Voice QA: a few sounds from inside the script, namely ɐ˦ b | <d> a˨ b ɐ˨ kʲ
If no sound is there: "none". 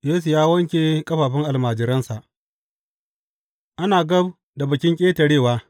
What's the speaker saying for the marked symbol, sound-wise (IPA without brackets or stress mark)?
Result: d